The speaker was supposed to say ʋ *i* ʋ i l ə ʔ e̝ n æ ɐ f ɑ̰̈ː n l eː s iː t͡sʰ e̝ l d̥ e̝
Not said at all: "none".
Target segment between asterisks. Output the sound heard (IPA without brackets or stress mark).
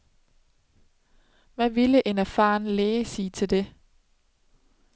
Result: æ